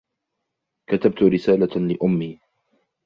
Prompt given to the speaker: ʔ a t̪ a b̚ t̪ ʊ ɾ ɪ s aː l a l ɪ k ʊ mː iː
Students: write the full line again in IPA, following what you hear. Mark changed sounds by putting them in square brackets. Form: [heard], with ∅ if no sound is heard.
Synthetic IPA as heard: [k] a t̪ a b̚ t̪ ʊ ɾ ɪ s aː l a l ɪ [ʔ] ʊ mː iː